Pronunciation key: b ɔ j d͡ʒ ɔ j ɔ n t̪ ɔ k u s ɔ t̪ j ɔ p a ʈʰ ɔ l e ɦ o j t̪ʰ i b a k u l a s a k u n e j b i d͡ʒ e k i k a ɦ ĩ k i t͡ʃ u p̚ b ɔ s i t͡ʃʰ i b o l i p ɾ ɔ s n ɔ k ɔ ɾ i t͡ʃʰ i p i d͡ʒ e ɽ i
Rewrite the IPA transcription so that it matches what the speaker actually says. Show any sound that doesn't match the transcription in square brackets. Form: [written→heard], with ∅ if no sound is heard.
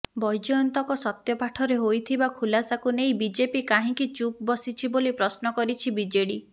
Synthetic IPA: b ɔ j d͡ʒ ɔ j ɔ n t̪ ɔ k [u→ɔ] s ɔ t̪ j ɔ p a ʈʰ ɔ [l→ɾ] e ɦ o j t̪ʰ i b a [k→kʰ] u l a s a k u n e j b i d͡ʒ e [k→p] i k a ɦ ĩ k i t͡ʃ u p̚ b ɔ s i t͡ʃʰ i b o l i p ɾ ɔ s n ɔ k ɔ ɾ i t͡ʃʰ i [p→b] i d͡ʒ e ɽ i